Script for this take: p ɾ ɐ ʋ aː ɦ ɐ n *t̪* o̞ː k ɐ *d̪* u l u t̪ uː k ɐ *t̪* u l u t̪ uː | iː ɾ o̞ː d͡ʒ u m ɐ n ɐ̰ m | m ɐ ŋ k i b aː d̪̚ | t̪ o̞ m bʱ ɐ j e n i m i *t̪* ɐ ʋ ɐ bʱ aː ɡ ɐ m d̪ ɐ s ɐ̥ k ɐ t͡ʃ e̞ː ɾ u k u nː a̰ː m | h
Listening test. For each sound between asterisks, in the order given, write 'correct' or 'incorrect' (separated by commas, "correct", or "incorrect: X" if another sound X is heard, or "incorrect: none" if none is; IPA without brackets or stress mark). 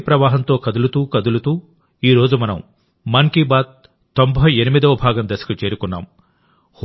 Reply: correct, correct, incorrect: d̪, incorrect: d̪